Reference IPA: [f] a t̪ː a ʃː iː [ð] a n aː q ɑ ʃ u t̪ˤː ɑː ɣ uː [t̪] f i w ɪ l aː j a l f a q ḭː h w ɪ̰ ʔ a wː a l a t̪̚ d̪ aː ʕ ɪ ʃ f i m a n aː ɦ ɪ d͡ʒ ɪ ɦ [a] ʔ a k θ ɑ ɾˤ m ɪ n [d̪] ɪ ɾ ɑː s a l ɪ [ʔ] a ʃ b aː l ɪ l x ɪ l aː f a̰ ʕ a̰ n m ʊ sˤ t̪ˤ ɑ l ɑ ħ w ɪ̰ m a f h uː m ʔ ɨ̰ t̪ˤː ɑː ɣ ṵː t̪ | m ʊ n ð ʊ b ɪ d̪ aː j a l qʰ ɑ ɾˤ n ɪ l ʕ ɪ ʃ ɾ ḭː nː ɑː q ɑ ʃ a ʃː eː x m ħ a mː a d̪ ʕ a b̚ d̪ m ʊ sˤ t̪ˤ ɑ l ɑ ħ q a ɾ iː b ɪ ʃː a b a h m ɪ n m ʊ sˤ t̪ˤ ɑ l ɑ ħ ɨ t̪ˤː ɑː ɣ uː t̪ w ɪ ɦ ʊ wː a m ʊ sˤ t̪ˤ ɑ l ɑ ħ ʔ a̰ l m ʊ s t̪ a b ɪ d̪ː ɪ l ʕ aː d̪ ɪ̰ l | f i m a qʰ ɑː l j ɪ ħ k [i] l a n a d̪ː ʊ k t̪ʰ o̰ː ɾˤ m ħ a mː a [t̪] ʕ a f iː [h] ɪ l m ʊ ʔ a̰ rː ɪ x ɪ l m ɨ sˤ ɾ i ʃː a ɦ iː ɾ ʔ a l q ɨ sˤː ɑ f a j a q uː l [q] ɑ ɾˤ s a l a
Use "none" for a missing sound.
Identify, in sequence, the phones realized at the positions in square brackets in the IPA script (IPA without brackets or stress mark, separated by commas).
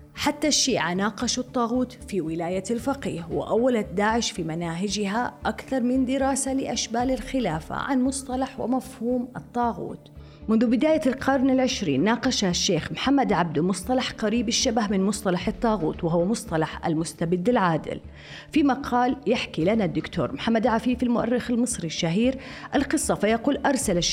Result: ħ, ʕ, t̪, a, d̪, ʔ, i, d̪, f, ʔ